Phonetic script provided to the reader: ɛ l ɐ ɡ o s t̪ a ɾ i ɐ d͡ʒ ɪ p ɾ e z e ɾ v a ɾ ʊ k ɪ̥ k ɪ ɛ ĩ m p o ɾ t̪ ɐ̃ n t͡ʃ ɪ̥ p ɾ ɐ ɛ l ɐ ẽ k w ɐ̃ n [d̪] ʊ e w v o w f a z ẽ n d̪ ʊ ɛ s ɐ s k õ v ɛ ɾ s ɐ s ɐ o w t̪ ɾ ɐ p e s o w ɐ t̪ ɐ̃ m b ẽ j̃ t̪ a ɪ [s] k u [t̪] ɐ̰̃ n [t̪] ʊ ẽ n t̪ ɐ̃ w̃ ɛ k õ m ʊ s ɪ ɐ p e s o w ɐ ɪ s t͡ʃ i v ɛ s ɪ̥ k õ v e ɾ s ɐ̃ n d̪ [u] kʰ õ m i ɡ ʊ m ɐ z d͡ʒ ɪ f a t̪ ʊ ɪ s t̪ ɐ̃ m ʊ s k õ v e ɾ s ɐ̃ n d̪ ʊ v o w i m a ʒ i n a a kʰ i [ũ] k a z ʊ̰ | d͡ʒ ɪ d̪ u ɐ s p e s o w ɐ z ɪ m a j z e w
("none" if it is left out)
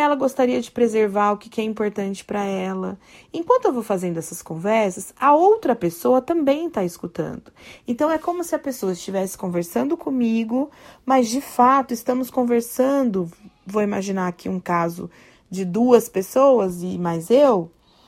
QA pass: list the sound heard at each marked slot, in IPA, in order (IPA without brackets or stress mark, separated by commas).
t̪, s, t̪, d̪, ʊ, ũ